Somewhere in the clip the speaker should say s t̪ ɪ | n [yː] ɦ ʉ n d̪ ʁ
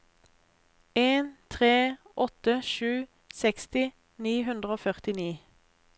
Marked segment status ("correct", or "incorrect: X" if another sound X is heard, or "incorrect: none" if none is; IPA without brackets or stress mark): incorrect: iː